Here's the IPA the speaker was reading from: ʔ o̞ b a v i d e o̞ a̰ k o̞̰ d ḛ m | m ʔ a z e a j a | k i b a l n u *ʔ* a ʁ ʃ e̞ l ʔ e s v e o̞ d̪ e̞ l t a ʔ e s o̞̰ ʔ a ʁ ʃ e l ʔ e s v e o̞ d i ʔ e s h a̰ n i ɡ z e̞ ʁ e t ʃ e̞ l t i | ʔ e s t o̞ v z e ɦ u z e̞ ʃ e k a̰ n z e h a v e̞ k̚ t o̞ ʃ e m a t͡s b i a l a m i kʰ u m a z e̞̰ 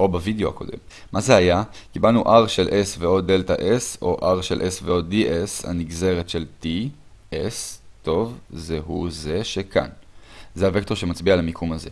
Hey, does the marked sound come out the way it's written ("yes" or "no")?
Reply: yes